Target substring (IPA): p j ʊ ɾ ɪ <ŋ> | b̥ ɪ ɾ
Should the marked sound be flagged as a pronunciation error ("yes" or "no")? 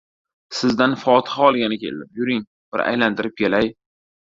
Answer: no